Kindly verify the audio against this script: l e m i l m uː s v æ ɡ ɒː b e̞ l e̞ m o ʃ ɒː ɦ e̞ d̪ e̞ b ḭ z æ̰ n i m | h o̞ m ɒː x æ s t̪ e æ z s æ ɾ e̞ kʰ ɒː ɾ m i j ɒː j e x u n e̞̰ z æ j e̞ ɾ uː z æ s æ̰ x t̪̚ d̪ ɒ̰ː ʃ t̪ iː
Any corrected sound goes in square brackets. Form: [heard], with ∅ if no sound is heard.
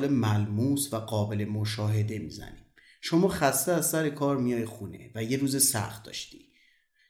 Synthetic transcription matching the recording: l e m [æ] l m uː s v æ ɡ ɒː b e̞ l e̞ m o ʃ ɒː ɦ e̞ d̪ e̞ [m] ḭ z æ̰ n i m | [ʃ] o̞ m ɒː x æ s t̪ e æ z s æ ɾ e̞ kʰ ɒː ɾ m i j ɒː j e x u n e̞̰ [v] æ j e̞ ɾ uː z [e] s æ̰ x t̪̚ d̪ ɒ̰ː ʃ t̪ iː